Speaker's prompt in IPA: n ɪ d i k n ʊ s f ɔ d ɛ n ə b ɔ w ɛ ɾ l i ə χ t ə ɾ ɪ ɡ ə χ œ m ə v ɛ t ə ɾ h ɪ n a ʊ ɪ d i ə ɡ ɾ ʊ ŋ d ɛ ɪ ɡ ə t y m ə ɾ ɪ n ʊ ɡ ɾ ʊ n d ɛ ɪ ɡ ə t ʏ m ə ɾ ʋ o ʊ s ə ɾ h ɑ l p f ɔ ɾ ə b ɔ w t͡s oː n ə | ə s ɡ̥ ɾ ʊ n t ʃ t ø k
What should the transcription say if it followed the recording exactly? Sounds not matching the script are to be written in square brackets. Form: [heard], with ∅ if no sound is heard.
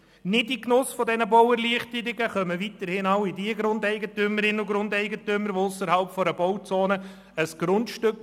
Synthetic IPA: n ɪ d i k n ʊ s f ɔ d ɛ n ə b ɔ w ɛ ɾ l i ə χ t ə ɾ ɪ ɡ ə χ œ m ə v [i] t ə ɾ h ɪ n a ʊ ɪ d i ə ɡ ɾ ʊ [n] d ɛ ɪ ɡ ə t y m ə ɾ ɪ n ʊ ɡ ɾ ʊ n d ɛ ɪ ɡ ə t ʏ m ə ɾ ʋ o ʊ s ə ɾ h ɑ l p f ɔ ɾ ə b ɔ w t͡s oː n ə | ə s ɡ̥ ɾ ʊ n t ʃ t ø k